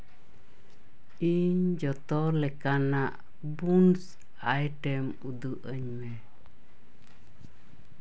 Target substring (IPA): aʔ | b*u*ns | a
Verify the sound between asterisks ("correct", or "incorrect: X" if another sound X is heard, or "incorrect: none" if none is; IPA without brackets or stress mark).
correct